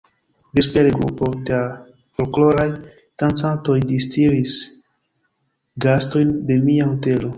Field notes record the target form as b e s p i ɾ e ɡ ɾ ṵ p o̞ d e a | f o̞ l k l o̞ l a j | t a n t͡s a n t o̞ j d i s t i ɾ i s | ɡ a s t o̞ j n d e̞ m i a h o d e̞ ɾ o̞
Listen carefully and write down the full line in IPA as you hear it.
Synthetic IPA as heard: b e s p e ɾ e ɡ ɾ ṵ p o̞ d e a | f o̞ l k l o̞ ɾ a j | t a n t͡s a n t o̞ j d i s t i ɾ i s | ɡ a s t o̞ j n d e̞ m i a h o t e̞ l o̞